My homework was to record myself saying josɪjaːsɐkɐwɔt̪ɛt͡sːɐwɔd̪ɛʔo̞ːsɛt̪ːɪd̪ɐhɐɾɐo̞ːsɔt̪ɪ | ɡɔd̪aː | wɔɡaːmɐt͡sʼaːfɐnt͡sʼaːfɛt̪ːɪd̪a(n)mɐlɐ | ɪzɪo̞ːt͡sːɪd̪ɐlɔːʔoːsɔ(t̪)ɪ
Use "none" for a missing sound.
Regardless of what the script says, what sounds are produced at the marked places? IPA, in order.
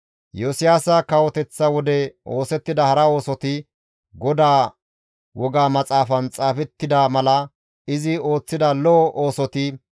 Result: none, t̪

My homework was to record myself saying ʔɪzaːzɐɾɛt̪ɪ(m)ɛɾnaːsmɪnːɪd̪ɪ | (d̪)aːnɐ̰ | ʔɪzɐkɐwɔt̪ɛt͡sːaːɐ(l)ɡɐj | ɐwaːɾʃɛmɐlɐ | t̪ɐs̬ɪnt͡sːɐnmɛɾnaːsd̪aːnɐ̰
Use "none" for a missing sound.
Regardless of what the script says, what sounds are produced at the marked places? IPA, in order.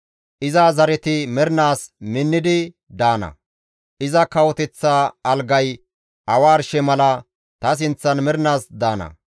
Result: m, d̪, l

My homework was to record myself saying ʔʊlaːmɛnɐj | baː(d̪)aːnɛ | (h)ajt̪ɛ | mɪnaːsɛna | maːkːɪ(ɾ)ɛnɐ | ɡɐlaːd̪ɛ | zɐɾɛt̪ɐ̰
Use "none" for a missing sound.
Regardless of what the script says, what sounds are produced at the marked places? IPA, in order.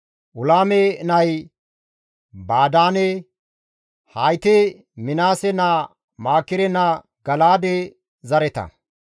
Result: d̪, h, ɾ

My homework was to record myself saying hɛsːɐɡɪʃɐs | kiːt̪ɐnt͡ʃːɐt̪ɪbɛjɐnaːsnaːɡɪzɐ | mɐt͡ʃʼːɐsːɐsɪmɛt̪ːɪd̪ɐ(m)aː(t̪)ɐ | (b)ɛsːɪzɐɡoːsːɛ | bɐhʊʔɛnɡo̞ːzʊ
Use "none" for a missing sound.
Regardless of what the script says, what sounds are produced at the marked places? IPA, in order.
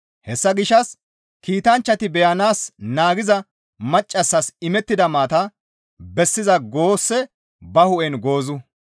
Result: m, t̪, b

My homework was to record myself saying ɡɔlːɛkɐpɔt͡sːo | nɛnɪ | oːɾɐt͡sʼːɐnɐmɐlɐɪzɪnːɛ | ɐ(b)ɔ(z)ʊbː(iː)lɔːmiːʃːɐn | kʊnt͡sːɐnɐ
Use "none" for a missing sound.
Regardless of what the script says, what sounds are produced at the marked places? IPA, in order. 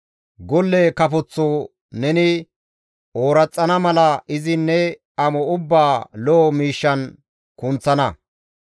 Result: m, none, aː

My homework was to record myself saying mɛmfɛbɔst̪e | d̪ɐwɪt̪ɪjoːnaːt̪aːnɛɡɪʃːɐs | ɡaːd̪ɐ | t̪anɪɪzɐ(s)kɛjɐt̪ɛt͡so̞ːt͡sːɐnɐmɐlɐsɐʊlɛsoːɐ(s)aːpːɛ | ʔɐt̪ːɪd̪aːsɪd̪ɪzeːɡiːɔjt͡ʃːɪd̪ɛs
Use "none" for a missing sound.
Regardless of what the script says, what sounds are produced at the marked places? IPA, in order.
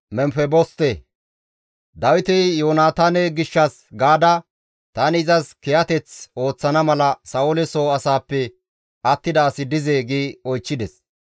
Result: s, s

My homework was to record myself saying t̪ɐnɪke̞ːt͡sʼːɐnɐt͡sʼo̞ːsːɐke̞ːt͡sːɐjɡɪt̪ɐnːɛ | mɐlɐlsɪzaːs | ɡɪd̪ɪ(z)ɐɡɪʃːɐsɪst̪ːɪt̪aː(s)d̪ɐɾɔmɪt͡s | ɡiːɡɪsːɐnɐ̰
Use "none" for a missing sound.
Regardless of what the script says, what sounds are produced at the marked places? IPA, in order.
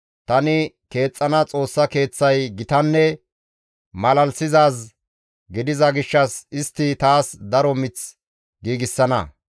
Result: z, s

